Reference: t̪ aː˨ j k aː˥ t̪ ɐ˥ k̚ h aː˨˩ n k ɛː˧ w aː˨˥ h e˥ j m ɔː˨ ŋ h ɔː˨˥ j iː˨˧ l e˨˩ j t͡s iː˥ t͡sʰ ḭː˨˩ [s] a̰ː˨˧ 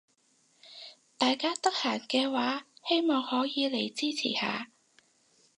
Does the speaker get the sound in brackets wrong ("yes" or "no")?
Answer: yes